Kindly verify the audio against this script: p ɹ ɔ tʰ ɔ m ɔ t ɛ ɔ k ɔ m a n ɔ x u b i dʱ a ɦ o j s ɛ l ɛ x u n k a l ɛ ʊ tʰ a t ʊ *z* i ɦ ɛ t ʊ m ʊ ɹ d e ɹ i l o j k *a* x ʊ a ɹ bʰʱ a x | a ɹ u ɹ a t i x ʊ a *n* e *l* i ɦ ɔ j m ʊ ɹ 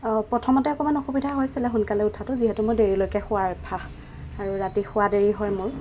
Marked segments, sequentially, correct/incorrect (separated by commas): correct, incorrect, incorrect, incorrect